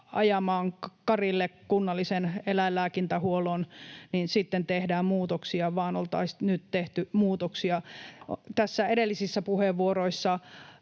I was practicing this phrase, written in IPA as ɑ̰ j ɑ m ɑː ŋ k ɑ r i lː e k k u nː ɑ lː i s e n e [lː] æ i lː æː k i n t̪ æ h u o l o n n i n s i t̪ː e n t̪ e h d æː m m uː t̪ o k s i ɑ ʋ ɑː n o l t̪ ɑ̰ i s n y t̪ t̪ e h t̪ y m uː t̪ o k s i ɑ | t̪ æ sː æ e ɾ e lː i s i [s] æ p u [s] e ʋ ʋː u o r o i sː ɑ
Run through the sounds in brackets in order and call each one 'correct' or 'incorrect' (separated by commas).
incorrect, incorrect, incorrect